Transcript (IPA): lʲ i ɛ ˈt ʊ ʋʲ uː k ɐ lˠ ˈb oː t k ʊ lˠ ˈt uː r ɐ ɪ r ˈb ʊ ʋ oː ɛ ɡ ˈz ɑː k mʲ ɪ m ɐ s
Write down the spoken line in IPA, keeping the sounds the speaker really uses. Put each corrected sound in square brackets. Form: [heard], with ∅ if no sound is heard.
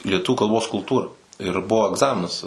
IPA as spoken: lʲ i ɛ ˈt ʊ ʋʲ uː k ɐ lˠ ˈb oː [s] k ʊ lˠ ˈt uː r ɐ ɪ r ˈb ʊ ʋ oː ɛ ɡ ˈz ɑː [∅] mʲ ɪ [n] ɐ s